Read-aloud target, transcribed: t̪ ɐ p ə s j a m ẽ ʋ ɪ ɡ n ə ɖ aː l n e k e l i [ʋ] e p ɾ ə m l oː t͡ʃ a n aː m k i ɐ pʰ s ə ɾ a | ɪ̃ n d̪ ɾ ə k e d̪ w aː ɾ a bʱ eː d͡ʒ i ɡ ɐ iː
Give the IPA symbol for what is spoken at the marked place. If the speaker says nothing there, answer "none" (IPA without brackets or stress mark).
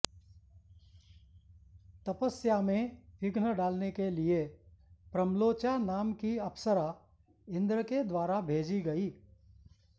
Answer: none